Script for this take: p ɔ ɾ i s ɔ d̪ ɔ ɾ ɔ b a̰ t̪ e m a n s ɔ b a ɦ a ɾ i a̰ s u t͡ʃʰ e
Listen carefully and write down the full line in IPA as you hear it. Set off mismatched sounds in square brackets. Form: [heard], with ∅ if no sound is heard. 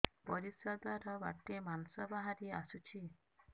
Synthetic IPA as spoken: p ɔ ɾ i s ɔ d̪ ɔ ɾ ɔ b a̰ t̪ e m a n s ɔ b a ɦ a ɾ i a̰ s u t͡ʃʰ [i]